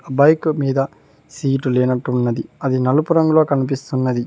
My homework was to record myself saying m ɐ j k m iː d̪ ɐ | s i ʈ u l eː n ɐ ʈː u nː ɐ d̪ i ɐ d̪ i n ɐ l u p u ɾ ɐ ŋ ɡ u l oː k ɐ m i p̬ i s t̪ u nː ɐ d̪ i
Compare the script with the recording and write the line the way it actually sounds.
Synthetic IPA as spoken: b ɐ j k m iː d̪ ɐ | s iː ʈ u l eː n ɐ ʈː u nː ɐ d̪ i ɐ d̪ i n ɐ l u p u ɾ ɐ ŋ ɡ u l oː k ɐ n i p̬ i s t̪ u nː ɐ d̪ i